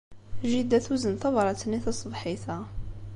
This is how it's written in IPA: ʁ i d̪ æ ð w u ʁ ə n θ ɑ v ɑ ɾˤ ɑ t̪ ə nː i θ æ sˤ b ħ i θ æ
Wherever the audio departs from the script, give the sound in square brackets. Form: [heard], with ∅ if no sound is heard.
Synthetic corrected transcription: [ʒ] i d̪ æ [θ] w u [z] ə n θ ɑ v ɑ ɾˤ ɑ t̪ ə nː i θ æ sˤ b ħ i θ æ

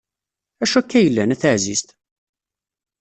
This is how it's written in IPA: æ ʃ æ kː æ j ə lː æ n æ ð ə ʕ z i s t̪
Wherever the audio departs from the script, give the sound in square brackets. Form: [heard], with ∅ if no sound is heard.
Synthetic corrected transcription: æ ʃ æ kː æ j ə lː æ n æ [θ] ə ʕ z i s t̪

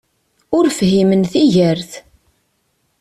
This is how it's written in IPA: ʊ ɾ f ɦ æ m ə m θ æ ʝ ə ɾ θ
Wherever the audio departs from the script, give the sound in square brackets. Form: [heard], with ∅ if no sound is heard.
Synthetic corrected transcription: ʊ ɾ f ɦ [i] m ə [n] θ [i] ʝ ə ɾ θ

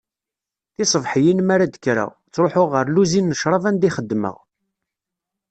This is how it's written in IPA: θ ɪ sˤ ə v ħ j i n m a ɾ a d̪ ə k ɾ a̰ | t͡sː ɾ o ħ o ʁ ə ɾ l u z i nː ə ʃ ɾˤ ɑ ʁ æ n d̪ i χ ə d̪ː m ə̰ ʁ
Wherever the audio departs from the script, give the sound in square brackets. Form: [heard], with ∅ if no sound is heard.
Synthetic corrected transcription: θ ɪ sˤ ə v ħ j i n m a ɾ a d̪ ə k ɾ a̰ | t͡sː ɾ o ħ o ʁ ə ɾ l u z i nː ə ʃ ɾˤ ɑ [v] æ n d̪ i χ ə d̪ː m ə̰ ʁ

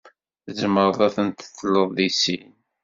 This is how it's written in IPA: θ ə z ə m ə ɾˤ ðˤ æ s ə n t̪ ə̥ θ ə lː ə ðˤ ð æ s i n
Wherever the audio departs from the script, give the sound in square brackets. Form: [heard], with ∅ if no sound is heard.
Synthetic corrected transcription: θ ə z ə m ə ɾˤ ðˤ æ [θ] ə n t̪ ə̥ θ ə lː ə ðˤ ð [i] s i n

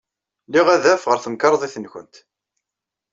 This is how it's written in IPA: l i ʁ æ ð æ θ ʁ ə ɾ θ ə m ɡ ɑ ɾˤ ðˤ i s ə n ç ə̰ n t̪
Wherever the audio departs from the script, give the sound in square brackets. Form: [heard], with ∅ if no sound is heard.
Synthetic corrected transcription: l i ʁ æ ð æ [f] ʁ ə ɾ θ ə m [k] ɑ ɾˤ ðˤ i [θ] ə n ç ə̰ n t̪

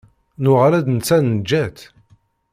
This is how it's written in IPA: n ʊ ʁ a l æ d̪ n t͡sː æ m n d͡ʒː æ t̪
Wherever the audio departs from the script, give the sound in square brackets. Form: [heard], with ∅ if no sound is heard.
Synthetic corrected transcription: n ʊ ʁ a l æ d̪ n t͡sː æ [n] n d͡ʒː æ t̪

